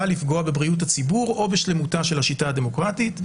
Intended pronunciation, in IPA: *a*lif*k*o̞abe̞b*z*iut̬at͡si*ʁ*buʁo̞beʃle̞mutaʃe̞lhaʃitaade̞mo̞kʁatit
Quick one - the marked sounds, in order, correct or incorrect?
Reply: correct, incorrect: ɡ, incorrect: ʁ, incorrect: none

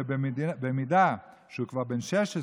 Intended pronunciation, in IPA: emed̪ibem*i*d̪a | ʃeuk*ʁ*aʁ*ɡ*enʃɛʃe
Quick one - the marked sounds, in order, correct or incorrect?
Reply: correct, incorrect: v, incorrect: b

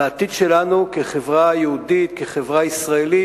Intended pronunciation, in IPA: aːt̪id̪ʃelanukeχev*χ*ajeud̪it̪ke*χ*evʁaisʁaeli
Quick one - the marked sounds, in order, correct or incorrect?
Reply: incorrect: ʁ, correct

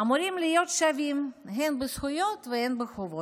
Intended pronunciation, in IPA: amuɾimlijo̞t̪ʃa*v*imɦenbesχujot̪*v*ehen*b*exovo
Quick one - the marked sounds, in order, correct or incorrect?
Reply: correct, correct, correct

